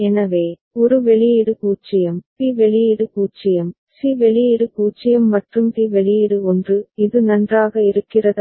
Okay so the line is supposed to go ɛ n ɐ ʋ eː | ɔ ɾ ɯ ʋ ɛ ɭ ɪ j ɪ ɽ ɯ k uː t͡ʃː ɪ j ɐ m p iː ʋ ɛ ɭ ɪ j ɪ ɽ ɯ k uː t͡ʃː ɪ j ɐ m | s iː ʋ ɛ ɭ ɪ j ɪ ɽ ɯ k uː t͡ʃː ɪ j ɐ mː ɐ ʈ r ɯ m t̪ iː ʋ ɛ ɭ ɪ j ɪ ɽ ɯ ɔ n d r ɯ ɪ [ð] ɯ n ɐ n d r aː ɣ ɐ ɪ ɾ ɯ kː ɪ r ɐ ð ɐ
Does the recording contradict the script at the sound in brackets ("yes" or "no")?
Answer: no